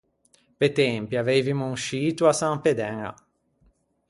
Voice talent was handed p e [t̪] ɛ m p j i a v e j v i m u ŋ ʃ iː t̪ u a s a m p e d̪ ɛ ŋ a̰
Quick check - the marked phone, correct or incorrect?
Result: correct